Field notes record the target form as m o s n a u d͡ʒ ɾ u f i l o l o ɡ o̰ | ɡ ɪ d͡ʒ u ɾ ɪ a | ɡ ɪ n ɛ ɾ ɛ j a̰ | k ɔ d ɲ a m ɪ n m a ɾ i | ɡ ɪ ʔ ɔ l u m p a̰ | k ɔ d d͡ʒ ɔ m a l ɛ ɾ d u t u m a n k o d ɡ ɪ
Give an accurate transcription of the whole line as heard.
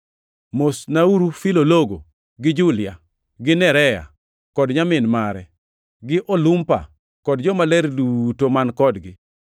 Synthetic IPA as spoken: m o s n a u ɾ u f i l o l o ɡ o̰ | ɡ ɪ d͡ʒ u l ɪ a | ɡ ɪ n ɛ ɾ ɛ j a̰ | k ɔ d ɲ a m ɪ n m a ɾ ɛ | ɡ ɪ ʔ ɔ l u m p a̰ | k ɔ d d͡ʒ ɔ m a l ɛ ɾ d u t o m a n k ɔ d ɡ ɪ

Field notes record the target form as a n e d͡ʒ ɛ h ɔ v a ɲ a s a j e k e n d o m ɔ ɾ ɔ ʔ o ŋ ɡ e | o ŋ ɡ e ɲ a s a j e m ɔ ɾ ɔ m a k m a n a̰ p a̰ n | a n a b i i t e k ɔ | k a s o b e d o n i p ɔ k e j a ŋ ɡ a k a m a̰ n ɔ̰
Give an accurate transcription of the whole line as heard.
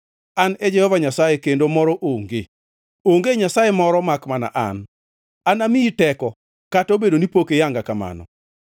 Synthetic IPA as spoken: a n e d͡ʒ ɛ h ɔ v a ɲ a s a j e k e n d o m ɔ ɾ ɔ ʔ o ŋ ɡ e | o ŋ ɡ e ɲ a s a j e m ɔ ɾ ɔ m a k m a n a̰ ʔ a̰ n | a n a m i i t ɛ k ɔ | k a t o b e d o n i p o k e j a ŋ ɡ a k a m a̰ n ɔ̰

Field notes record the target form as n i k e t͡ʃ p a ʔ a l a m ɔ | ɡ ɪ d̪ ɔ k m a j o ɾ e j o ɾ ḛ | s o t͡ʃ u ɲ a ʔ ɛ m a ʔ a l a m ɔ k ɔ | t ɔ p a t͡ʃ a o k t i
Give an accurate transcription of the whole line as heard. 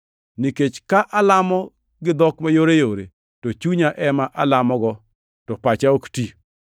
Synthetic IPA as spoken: n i k e t͡ʃ k a ʔ a l a m ɔ | ɡ ɪ d̪ ɔ k m a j o ɾ e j o ɾ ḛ | t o t͡ʃ u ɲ a ʔ ɛ m a ʔ a l a m ɔ ɡ ɔ | t ɔ p a t͡ʃ a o k t i

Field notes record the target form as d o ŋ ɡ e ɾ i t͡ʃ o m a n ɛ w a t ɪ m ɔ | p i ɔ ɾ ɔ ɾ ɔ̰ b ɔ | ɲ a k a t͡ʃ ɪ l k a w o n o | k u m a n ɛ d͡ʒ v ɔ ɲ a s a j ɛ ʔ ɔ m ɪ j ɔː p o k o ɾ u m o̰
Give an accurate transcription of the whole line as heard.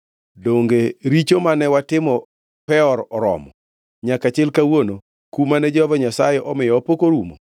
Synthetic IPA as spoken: d o ŋ ɡ e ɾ i t͡ʃ o m a n ɛ w a t ɪ m ɔ | p ɛ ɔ ɾ ɔ ɾ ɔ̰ m ɔ | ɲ a k a t͡ʃ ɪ l k a w o n o | k u m a n ɛ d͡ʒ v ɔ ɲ a s a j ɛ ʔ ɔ m ɪ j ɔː p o k o ɾ u m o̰

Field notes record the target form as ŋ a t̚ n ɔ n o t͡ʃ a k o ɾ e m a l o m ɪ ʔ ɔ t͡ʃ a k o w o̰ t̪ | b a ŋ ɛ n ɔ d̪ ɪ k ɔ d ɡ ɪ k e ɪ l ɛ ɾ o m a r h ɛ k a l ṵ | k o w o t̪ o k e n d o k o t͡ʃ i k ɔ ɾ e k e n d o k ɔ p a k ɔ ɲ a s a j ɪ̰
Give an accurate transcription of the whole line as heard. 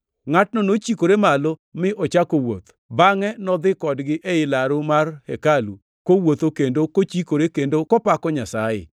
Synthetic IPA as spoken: ŋ a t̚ n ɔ n o t͡ʃ i k o ɾ e m a l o m ɪ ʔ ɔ t͡ʃ a k o w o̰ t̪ | b a ŋ ɛ n ɔ d̪ ɪ k ɔ d ɡ ɪ ʔ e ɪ l a ɾ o m a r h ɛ k a l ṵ | k o w o t̪ o k e n d o k o t͡ʃ i k o ɾ e k e n d o k ɔ p a k ɔ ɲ a s a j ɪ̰

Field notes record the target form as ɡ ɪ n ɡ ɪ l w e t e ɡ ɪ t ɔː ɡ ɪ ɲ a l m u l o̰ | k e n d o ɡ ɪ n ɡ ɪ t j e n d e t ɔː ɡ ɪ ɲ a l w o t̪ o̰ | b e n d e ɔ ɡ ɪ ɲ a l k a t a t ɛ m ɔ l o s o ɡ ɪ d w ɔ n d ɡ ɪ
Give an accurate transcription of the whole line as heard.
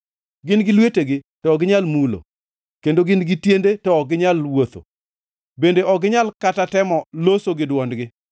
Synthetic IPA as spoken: ɡ ɪ n ɡ ɪ l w e t e ɡ ɪ t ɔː ɡ ɪ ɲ a l m u l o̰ | k e n d o ɡ ɪ n ɡ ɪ t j e n d e t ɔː ɡ ɪ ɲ a l w o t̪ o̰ | b e n d e ɔ ɡ ɪ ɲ a l k a t a t ɛ m ɔ l o s o ɡ ɪ d w ɔ n d ɡ ɪ

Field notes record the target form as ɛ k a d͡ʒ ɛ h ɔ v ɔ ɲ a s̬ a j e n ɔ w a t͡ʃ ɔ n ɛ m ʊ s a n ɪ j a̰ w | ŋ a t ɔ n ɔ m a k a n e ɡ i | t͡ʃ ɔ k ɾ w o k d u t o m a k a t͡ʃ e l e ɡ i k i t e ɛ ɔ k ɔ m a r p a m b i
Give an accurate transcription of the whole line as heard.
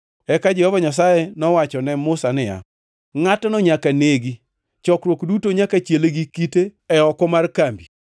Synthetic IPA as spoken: ɛ k a d͡ʒ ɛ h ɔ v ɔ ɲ a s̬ a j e n ɔ w a t͡ʃ ɔ n ɛ m ʊ s a n ɪ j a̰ | ŋ a t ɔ n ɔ ɲ a k a n e ɡ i | t͡ʃ ɔ k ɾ w o k d u t o ɲ a k a t͡ʃ e l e ɡ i k i t e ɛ ɔ k ɔ m a r k a m b i

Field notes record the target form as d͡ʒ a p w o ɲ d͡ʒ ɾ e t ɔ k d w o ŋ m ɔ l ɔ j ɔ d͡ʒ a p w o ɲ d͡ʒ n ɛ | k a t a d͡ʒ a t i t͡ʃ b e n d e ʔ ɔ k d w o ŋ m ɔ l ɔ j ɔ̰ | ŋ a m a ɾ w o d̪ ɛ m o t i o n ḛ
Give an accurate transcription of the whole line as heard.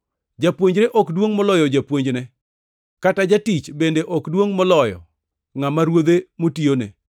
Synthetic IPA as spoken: d͡ʒ a p w o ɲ d͡ʒ ɾ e ʔ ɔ k d w o ŋ m ɔ l ɔ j ɔ d͡ʒ a p w o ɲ d͡ʒ n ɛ | k a t a d͡ʒ a t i t͡ʃ b e n d e ʔ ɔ k d w o ŋ m ɔ l ɔ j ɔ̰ | ŋ a m a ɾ w o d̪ e m o t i o n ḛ

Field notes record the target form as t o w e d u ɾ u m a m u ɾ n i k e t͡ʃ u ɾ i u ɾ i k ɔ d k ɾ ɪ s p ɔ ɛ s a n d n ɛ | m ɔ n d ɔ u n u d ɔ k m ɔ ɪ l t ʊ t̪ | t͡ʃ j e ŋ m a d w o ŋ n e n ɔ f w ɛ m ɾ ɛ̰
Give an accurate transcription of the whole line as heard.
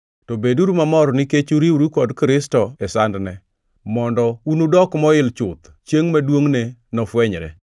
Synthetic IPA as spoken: t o b e d u ɾ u m a m ɔ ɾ n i k e t͡ʃ u ɾ i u ɾ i k ɔ d k ɾ ɪ s t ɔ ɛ s a n d n ɛ | m ɔ n d ɔ u n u d ɔ k m ɔ ɪ l t͡ʃ ʊ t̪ | t͡ʃ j e ŋ m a d w o ŋ n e n ɔ f w ɛ ɲ ɾ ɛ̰

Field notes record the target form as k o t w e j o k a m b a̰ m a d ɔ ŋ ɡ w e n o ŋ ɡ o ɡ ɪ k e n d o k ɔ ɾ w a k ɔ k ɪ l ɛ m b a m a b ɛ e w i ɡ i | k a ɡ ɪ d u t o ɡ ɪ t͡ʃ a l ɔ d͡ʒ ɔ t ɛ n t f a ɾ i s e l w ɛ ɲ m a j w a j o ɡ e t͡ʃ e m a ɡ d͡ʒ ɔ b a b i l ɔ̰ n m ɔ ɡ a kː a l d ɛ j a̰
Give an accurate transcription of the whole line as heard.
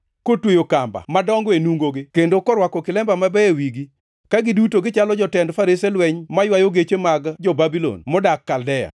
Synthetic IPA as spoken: k o t w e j o k a m b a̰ m a d ɔ ŋ ɡ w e n u ŋ ɡ o ɡ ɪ k e n d o k ɔ ɾ w a k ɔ k ɪ l ɛ m b a m a b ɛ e w i ɡ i | k a ɡ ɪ d u t o ɡ ɪ t͡ʃ a l ɔ d͡ʒ ɔ t ɛ n d f a ɾ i s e l w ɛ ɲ m a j w a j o ɡ e t͡ʃ e m a ɡ d͡ʒ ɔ b a b i l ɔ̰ n m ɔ d a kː a l d ɛ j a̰

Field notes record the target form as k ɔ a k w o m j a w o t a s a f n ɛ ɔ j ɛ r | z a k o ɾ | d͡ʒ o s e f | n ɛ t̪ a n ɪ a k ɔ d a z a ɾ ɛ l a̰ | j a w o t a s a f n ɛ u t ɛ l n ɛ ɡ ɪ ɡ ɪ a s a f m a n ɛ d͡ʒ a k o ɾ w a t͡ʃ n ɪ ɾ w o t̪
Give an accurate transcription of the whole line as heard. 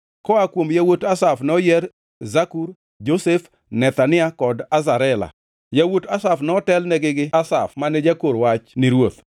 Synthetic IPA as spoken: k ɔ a k w o m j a w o t a s a f n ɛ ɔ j ɛ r | z a k u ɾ | d͡ʒ o s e f | n ɛ t̪ a n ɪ a k ɔ d a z a ɾ ɛ l a̰ | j a w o t a s a f n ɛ ɔ t ɛ l n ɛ ɡ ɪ ɡ ɪ a s a f m a n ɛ d͡ʒ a k o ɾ w a t͡ʃ n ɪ ɾ w o t̪

